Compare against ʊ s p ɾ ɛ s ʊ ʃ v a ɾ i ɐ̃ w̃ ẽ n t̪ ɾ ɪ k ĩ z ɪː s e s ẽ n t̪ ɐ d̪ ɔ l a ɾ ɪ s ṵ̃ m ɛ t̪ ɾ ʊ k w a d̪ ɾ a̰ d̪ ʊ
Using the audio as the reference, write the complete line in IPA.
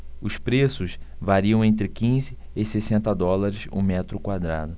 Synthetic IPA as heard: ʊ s p ɾ e s ʊ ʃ v a ɾ i ɐ̃ w̃ ẽ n t̪ ɾ ɪ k ĩ z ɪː s e s ẽ n t̪ ɐ d̪ ɔ l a ɾ ɪ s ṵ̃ m ɛ t̪ ɾ ʊ k w a d̪ ɾ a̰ d̪ ʊ